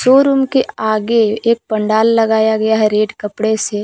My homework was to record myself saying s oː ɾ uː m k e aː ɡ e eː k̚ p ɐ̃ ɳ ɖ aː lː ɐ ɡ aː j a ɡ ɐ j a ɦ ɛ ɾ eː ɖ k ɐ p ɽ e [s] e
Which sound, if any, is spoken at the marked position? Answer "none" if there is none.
s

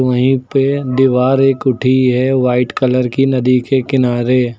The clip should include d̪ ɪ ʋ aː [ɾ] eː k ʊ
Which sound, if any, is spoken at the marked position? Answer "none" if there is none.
ɾ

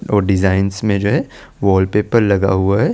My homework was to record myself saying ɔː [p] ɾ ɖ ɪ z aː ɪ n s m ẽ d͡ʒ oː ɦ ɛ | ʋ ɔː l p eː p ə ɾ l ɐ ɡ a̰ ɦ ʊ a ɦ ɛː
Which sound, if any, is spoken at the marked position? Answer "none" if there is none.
none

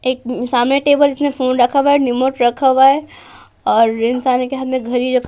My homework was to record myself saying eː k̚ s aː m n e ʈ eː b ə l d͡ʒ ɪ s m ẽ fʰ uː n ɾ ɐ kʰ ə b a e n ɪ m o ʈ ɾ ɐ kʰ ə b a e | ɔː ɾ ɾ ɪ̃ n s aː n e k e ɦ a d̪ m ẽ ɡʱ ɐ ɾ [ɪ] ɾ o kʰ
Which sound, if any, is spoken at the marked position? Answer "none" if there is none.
i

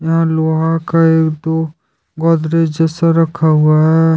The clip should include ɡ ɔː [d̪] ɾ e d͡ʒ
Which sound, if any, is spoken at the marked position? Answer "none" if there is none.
d̪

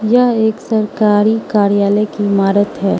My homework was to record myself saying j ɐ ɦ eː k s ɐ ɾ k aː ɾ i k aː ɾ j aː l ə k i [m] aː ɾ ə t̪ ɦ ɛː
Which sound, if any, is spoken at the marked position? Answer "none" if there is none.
m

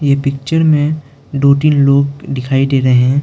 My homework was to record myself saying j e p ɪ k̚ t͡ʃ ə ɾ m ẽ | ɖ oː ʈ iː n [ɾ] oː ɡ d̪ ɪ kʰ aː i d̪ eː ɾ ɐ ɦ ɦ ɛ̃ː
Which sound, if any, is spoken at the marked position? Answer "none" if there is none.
l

